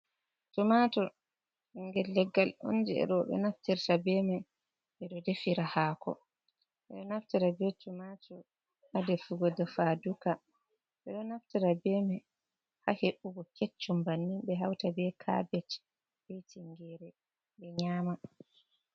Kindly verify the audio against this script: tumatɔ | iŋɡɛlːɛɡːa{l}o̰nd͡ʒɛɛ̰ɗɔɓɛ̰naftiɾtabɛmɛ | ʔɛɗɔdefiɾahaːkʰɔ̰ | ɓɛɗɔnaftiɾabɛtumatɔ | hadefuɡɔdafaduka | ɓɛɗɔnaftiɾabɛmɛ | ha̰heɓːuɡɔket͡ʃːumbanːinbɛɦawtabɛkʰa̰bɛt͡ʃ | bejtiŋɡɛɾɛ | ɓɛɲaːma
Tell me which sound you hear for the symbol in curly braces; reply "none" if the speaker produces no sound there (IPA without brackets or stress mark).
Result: l